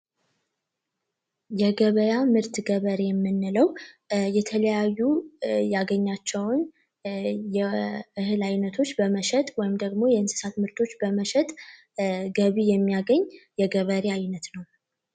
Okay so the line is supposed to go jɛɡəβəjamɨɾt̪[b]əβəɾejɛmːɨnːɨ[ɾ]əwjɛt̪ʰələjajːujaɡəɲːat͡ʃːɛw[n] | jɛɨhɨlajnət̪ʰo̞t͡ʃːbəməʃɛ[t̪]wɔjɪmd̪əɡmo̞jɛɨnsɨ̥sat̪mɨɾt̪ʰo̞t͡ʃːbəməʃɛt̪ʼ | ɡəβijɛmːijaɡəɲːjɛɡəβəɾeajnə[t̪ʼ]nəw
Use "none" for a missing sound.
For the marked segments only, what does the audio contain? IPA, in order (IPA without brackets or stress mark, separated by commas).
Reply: ɡ, l, n, t̪ʼ, t̪